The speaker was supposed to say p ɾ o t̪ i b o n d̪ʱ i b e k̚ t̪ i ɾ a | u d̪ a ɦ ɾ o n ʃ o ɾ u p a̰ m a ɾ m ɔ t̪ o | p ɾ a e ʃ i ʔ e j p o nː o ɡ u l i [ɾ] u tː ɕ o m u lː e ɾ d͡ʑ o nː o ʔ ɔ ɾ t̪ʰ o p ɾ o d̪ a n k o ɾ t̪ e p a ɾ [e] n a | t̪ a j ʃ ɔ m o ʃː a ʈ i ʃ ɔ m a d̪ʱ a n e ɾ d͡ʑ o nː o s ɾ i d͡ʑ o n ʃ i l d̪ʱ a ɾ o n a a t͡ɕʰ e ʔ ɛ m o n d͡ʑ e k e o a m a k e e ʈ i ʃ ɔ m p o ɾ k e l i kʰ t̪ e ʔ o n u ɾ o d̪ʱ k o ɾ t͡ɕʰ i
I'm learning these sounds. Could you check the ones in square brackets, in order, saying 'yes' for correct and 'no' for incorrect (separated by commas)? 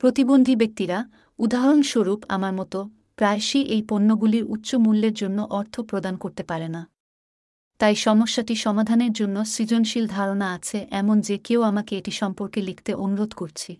yes, yes